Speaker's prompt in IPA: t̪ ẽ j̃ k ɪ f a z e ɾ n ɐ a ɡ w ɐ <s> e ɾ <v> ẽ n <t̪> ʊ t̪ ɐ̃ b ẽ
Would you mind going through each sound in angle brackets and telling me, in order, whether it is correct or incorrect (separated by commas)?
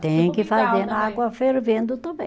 incorrect, correct, incorrect